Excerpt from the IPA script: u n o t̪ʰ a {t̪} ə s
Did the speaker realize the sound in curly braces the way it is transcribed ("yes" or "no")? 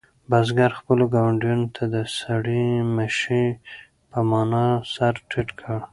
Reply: no